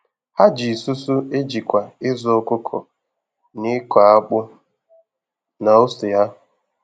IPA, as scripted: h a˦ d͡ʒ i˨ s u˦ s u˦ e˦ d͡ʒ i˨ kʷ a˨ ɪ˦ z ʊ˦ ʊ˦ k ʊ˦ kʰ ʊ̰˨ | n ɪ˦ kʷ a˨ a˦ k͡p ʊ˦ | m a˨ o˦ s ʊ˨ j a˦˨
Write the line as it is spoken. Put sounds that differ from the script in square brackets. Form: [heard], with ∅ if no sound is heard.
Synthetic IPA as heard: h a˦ d͡ʒ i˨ s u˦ s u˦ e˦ d͡ʒ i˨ kʷ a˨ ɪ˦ z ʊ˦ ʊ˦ k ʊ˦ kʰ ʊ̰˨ | n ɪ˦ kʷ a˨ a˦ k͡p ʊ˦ | [n] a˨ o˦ s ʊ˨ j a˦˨